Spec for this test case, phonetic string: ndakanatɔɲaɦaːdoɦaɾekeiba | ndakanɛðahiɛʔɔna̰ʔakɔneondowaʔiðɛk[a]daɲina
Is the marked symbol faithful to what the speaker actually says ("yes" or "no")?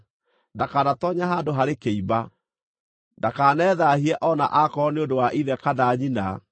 yes